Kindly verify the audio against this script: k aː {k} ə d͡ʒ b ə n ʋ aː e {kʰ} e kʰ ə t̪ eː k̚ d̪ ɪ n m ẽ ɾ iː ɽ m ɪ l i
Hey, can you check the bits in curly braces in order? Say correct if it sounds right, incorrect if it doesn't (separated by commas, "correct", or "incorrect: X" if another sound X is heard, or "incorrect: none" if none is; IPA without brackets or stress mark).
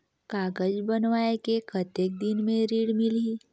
incorrect: ɡ, incorrect: k